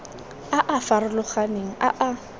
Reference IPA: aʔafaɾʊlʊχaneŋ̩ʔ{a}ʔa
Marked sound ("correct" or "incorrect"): correct